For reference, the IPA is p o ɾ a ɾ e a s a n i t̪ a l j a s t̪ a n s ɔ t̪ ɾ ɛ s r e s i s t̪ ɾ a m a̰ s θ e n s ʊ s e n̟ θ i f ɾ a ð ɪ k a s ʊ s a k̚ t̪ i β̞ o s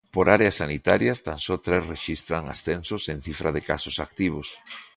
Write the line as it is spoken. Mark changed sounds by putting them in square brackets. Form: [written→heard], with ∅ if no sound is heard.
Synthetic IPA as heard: p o ɾ a ɾ e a s a n i t̪ a [l→ɾ] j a s t̪ a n s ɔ t̪ ɾ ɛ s r e [s→ʃ] i s t̪ ɾ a [m→ŋ] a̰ s θ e n s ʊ s e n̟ θ i f ɾ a ð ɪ k a s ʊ s a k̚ t̪ i β̞ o s